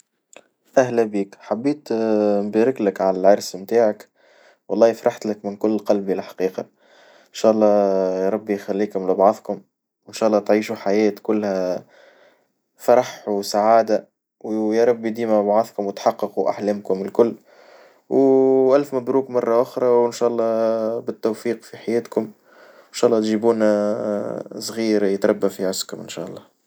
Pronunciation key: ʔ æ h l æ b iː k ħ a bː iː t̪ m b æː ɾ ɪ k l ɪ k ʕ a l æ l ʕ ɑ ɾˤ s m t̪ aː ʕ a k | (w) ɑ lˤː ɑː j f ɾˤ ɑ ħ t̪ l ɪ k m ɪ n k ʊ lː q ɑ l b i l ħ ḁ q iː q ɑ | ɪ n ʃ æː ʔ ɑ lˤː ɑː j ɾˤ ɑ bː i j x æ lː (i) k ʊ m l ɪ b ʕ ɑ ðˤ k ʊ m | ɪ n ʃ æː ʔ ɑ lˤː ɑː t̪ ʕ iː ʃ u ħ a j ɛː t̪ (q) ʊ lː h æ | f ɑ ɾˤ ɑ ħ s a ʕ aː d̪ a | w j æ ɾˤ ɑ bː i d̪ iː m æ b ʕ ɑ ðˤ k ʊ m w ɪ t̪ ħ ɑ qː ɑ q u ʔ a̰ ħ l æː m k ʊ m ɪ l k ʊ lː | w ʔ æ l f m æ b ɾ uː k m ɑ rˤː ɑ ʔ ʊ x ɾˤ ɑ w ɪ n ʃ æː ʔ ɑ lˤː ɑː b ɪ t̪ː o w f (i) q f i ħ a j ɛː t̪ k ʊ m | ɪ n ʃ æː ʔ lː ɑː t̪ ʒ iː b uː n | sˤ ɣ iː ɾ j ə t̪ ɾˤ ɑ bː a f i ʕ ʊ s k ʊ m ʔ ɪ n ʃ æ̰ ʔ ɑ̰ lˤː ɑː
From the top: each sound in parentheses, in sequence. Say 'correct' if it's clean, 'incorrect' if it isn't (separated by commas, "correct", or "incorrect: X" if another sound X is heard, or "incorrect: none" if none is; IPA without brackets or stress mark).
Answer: correct, incorrect: iː, incorrect: k, incorrect: iː